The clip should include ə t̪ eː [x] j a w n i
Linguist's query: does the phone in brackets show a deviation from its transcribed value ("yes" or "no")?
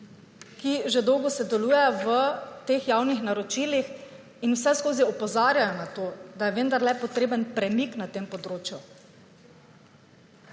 no